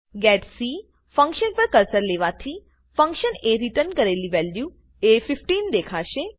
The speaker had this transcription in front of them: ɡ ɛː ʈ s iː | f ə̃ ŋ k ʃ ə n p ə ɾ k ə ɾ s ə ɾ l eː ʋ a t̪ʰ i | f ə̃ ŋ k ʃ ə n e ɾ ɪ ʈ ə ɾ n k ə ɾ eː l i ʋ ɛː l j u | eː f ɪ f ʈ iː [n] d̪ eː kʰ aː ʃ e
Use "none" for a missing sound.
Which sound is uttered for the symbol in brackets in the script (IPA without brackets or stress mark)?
n